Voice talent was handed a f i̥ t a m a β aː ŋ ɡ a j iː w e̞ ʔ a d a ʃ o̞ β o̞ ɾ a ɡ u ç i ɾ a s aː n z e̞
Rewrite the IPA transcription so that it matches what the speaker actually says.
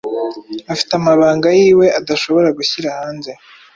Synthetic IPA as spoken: a f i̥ t a m a β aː ŋ ɡ a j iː w e̞ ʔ a d a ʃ o̞ β o̞ ɾ a ɡ u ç i ɾ a h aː n z e̞

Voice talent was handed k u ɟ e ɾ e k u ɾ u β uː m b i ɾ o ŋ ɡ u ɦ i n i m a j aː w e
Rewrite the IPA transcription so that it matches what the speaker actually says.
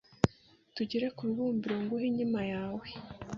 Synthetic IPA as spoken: t u ɟ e ɾ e k u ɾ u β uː m b i ɾ o ŋ ɡ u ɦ i ɲ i m a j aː w e

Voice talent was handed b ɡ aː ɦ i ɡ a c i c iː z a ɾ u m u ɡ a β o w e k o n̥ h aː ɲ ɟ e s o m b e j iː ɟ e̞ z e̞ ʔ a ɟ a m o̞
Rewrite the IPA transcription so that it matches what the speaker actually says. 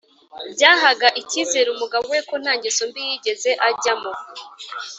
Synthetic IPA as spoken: b ɟ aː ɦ a ɡ a ʔ i c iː z e ɾ u m u ɡ a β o w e k o n̥ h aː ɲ ɟ e s o m b i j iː ɟ e̞ z e̞ ʔ a ɟ a m o̞

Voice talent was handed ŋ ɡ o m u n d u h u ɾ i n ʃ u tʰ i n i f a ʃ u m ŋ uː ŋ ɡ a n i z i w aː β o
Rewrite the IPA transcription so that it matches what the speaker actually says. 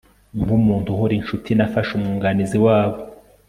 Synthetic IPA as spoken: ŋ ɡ u m uː n t u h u ɾ i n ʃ u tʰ i n a f a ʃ u m ŋ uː ŋ ɡ a n i z i w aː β o

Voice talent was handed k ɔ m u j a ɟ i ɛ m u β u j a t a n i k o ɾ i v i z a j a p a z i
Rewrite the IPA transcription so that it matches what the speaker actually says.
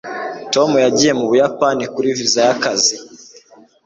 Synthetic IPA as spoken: t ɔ m u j a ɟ i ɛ m u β u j a p a n i k u ɾ i v i z a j a k a z i

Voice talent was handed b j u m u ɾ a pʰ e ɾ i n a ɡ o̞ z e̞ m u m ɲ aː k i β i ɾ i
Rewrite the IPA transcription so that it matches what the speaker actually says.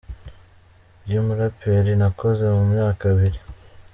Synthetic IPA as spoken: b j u m u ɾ a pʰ e ɾ i n a k o̞ z e̞ m u m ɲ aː k a β i ɾ i

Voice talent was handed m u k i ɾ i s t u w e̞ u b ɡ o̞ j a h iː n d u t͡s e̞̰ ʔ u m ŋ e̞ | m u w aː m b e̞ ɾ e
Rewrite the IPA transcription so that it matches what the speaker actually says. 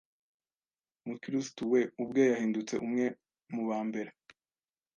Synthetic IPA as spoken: m u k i ɾ i s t u w e̞ u b ɡ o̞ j a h iː n d u t͡s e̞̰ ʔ u m ŋ e̞ | m u β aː m b e̞ ɾ e

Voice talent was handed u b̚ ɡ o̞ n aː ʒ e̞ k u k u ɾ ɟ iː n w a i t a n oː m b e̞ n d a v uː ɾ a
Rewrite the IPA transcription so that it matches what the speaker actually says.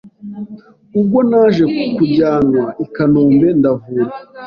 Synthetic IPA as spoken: u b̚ ɡ o̞ n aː ʒ e̞ k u k u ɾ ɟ aː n w a i k a n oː m b e̞ n d a v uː ɾ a

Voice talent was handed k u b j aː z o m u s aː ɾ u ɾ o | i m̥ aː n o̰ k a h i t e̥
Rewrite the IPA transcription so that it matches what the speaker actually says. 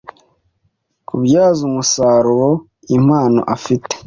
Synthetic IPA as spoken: k u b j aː z u m u s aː ɾ u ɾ o | i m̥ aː n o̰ ʔ a f i t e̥

